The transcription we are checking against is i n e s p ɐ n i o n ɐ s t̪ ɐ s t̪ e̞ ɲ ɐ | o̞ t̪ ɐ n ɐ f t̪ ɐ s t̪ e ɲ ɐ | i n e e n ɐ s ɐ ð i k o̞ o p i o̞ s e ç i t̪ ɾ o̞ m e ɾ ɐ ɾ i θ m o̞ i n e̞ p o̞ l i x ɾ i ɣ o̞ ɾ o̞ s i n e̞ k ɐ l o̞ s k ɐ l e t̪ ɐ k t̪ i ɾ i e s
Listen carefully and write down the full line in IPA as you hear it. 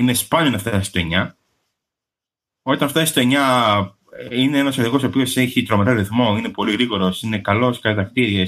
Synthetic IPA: i n e s p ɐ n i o n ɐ f t̪ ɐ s t̪ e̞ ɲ ɐ | o̞ t̪ ɐ n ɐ f t̪ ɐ s t̪ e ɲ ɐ | i n e e n ɐ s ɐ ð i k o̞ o p i o̞ s e ç i t̪ ɾ o̞ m e ɾ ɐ ɾ i θ m o̞ i n e̞ p o̞ l i ɣ ɾ i ɣ o̞ ɾ o̞ s i n e̞ k ɐ l o̞ s k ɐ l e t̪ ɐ k t̪ i ɾ i e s